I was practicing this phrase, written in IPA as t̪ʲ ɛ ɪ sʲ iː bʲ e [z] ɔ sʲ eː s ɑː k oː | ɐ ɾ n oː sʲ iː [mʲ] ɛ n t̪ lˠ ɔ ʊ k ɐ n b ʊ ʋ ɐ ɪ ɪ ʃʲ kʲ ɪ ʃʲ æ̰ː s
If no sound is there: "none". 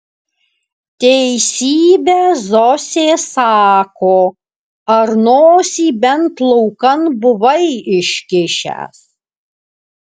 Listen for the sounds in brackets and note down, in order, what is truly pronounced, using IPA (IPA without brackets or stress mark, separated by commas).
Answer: z, bʲ